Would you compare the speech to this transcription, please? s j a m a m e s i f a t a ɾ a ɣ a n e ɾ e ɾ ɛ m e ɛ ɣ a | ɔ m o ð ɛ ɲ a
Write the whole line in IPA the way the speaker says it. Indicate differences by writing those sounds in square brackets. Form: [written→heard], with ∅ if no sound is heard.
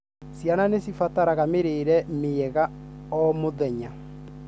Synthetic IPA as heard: s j a [m→n] a [m→n] e s i f a t a ɾ a ɣ a [n→m] e ɾ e ɾ ɛ m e ɛ ɣ a | ɔ m o ð ɛ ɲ a